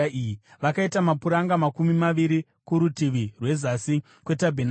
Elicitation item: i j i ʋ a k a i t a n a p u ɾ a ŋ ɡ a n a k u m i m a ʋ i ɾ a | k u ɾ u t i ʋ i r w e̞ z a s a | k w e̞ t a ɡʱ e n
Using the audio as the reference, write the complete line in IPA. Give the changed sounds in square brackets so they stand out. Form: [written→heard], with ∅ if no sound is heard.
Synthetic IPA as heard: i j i ʋ a k a i t a [n→m] a p u ɾ a ŋ ɡ a [n→m] a k u m i m a ʋ i ɾ [a→i] | k u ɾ u t i ʋ i r w e̞ z a s [a→i] | k w e̞ t a [ɡʱ→bʱ] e n